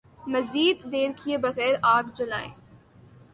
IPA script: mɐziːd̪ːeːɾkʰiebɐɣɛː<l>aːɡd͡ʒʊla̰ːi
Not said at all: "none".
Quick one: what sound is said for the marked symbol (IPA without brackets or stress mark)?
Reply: ɾ